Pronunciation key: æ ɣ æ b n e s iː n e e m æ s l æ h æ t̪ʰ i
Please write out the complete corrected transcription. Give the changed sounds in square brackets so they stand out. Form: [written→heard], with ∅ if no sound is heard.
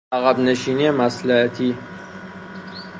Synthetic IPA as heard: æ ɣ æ b n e [s→ʃ] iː n [e→i] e m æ s l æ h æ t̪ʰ i